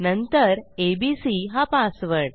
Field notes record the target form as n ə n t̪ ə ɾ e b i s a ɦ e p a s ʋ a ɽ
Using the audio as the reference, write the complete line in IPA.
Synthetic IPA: n ə n t̪ ə ɾ e b i s i ɦ a p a s ʋ ə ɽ